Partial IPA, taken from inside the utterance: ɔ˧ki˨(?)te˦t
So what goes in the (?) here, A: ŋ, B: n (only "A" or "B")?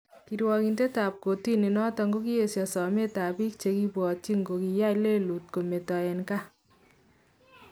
B